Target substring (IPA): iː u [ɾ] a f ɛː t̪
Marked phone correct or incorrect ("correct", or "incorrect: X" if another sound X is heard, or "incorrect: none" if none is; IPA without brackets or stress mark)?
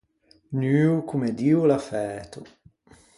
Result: incorrect: l